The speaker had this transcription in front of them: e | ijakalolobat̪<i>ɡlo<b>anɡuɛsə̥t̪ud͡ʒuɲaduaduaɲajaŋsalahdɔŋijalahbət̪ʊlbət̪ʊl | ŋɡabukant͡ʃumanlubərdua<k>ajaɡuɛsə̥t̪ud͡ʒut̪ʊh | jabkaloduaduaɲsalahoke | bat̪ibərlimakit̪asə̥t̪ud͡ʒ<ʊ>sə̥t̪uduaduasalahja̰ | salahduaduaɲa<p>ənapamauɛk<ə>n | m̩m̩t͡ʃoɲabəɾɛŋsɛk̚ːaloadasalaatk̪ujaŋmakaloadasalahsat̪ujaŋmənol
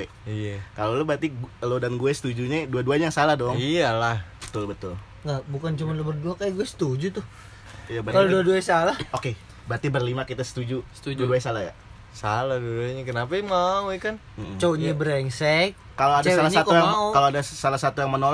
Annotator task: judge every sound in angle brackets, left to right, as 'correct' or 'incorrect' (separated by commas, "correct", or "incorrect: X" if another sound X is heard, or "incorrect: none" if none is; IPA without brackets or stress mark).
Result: correct, incorrect: d, correct, incorrect: u, incorrect: k, incorrect: a